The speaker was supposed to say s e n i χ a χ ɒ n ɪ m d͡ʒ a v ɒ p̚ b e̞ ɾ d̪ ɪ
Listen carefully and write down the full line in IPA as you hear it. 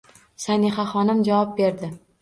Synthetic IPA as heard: s a n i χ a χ ɒ n ɪ m d͡ʒ a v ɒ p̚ b e̞ ɾ d̪ ɪ